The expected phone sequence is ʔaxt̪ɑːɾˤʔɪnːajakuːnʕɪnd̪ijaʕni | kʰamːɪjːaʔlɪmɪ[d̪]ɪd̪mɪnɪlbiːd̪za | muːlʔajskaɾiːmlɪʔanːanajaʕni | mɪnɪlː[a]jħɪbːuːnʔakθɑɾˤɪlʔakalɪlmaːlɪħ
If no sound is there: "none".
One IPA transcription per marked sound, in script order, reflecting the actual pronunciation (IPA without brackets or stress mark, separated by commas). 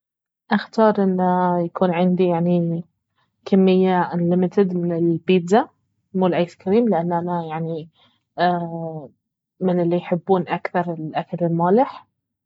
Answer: t̪, i